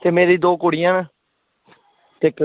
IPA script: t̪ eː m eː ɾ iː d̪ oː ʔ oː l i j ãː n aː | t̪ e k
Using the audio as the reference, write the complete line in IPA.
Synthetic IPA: t̪ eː m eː ɾ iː d̪ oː k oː ɽ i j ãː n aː | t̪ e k